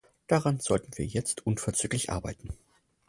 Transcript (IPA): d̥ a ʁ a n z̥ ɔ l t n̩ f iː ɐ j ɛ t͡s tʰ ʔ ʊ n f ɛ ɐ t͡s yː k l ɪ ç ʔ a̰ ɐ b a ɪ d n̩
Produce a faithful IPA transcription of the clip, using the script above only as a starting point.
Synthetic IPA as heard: d̥ a ʁ a n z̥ ɔ l t n̩ v iː ɐ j ɛ t͡s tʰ ʔ ʊ n f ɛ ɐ t͡s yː k l ɪ ç ʔ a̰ ɐ b a ɪ t n̩